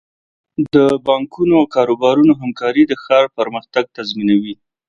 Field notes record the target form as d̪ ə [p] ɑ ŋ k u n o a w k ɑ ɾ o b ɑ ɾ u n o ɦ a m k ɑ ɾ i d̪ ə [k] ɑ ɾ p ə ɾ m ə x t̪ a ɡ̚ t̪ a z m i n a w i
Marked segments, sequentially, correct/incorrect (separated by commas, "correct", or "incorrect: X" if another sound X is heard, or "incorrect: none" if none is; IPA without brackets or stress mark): incorrect: b, incorrect: x